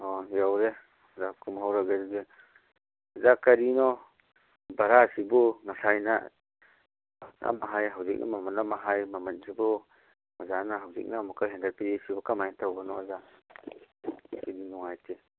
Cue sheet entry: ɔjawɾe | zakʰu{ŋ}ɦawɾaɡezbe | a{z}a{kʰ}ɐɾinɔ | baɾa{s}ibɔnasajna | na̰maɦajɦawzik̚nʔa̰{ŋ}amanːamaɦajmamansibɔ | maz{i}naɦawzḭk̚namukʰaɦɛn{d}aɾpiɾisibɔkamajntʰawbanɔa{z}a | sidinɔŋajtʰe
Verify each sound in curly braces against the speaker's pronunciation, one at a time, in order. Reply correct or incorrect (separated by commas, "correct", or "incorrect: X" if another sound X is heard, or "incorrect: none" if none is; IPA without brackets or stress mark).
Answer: incorrect: m, correct, incorrect: k, correct, incorrect: m, incorrect: a, correct, correct